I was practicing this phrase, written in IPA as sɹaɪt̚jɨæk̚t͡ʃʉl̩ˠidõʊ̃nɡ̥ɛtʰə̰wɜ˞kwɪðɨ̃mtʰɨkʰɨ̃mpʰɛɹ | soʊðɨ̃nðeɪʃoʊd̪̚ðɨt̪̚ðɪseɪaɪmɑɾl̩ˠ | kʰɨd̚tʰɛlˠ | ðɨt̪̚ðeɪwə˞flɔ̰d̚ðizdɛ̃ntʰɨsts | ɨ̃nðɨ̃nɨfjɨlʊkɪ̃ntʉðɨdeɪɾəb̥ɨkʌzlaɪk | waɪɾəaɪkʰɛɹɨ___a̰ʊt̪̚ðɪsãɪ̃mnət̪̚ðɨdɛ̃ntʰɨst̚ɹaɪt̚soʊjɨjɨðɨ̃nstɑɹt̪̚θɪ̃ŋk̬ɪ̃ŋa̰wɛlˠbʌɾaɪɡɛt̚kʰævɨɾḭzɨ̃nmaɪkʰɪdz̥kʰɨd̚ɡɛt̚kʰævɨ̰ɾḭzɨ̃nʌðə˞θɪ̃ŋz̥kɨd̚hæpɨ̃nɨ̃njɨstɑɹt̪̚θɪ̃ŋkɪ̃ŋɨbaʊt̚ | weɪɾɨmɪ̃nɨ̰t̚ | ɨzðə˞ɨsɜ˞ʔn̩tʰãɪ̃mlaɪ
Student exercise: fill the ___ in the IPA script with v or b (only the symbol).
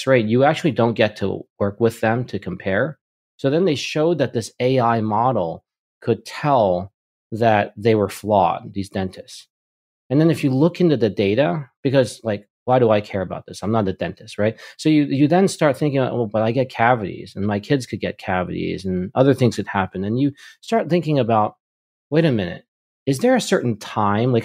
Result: b